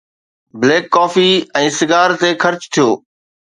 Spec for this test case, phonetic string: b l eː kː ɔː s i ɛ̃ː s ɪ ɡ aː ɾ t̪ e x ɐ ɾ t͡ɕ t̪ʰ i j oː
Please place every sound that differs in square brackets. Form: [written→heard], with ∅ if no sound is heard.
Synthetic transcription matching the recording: b l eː kː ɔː [s→f] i ɛ̃ː s ɪ ɡ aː ɾ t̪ e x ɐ ɾ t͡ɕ t̪ʰ i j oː